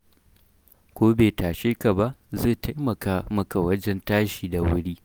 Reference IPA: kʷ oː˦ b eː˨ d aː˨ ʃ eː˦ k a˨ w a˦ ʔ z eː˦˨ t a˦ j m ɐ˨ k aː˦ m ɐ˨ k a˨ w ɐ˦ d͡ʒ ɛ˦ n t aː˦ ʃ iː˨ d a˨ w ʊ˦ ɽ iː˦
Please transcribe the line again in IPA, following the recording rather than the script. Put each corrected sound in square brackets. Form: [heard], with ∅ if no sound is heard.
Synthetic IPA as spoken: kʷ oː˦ b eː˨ [t] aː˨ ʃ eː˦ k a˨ [b] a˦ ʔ z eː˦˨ t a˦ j m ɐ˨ k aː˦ m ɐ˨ k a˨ w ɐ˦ d͡ʒ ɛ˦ n t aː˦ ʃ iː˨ d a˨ w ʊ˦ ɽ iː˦